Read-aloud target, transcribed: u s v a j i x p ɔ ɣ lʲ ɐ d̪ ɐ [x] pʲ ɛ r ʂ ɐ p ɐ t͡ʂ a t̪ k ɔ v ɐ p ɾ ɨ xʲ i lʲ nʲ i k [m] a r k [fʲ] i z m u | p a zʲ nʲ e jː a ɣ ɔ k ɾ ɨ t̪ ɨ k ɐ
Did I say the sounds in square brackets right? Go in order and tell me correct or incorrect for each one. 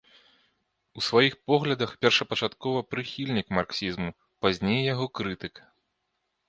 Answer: correct, correct, incorrect: sʲ

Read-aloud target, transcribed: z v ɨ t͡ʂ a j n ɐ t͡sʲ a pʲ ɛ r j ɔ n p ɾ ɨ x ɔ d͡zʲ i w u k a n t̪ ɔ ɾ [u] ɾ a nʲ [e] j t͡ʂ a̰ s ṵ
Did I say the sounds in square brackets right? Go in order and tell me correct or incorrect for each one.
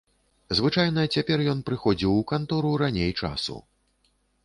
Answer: correct, correct

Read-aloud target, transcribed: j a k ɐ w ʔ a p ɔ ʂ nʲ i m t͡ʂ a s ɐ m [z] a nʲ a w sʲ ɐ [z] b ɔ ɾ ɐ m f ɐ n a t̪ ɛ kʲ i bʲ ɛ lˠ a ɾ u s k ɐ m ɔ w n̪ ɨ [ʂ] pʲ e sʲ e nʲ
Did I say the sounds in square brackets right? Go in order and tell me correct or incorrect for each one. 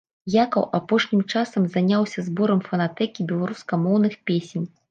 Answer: correct, correct, incorrect: x

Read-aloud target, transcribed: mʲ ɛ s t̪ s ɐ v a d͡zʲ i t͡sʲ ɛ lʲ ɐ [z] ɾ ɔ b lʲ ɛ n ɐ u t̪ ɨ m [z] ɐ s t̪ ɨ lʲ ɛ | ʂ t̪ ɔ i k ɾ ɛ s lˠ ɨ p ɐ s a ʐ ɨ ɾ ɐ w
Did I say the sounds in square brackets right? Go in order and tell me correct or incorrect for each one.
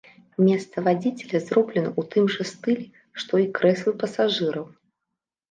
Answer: correct, incorrect: ʐ

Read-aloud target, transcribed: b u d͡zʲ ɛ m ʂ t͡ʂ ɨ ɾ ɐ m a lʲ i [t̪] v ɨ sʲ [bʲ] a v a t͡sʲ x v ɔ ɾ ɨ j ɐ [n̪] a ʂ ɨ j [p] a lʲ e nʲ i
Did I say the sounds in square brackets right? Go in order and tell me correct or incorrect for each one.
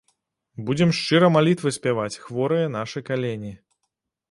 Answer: correct, incorrect: pʲ, correct, incorrect: k

